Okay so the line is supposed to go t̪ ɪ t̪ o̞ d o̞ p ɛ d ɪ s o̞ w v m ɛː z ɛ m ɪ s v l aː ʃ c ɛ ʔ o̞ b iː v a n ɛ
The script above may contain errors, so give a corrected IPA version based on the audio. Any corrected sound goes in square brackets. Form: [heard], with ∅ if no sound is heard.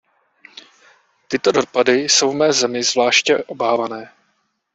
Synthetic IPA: t̪ ɪ t̪ o̞ d o̞ p [a] d ɪ s o̞ w v m ɛː z ɛ m ɪ [z] v l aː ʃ c ɛ ʔ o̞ b [aː] v a n [ɛː]